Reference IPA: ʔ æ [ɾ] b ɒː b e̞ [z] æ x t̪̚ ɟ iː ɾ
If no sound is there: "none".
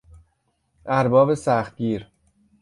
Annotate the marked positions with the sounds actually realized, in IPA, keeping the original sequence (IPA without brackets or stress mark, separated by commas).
ɾ, s